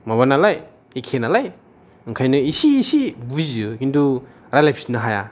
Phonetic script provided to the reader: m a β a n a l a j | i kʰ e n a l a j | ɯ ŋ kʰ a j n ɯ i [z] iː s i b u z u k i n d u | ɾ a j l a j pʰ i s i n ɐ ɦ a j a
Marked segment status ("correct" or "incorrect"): incorrect